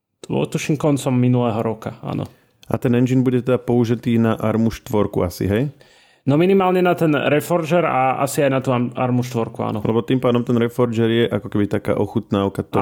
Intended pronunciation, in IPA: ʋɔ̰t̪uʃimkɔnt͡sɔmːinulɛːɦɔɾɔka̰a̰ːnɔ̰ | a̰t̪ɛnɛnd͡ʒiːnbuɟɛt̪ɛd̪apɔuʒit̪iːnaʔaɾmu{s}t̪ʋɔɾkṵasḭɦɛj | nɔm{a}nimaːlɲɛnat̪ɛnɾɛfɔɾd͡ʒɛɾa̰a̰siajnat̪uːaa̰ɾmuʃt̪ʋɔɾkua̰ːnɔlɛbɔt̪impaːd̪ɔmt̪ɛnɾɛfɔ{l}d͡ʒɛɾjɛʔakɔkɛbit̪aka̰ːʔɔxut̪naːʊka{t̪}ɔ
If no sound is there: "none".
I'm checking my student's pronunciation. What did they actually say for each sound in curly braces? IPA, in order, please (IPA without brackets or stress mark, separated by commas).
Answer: ʃ, i, ɾ, t̪